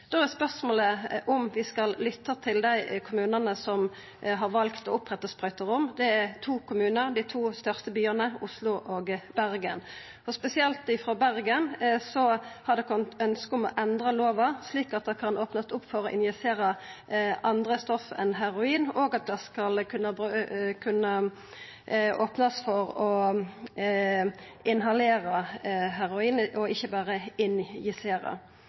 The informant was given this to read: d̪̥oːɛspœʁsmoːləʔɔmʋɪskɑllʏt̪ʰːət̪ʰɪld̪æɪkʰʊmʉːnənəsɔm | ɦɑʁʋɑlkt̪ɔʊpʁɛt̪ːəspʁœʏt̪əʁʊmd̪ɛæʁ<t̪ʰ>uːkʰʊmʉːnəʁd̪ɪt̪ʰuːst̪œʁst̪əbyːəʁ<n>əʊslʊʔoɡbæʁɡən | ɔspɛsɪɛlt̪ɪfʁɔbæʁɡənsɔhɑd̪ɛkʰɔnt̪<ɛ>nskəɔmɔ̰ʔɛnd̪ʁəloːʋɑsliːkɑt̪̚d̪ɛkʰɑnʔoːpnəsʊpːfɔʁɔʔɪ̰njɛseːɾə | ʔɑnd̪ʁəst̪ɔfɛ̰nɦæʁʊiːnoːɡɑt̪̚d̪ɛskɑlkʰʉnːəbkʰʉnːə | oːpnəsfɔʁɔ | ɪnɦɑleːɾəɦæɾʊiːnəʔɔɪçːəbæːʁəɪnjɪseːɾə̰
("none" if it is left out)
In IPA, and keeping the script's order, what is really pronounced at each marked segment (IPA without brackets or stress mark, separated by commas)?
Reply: t̪ʰ, n, œ